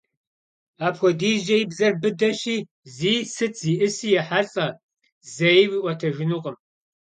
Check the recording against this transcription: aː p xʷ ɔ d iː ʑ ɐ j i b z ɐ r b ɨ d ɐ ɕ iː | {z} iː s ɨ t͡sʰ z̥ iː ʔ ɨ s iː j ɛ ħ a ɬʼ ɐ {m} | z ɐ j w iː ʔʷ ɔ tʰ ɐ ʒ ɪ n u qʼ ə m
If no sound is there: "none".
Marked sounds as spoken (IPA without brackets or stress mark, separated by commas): z, none